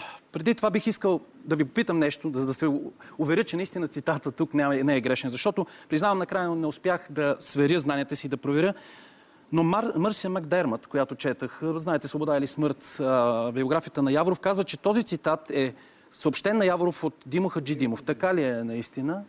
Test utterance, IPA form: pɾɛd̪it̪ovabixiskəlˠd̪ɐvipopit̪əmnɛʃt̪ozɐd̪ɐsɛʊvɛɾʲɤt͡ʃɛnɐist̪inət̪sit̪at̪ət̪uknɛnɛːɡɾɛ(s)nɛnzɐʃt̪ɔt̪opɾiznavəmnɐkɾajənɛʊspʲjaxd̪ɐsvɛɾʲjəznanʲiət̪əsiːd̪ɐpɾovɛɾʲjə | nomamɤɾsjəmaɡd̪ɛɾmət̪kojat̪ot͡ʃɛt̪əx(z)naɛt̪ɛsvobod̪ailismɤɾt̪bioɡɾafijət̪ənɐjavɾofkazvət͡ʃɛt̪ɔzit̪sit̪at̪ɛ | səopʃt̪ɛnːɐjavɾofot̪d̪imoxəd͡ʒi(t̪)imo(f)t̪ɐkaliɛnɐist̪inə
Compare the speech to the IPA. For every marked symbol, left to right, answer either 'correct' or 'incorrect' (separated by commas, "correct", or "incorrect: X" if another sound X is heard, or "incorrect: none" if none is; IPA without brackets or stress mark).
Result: incorrect: ʃ, correct, incorrect: d̪, correct